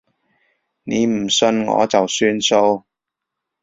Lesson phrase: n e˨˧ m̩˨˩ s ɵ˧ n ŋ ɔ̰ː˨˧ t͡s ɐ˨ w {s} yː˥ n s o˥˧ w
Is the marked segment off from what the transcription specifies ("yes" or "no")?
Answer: no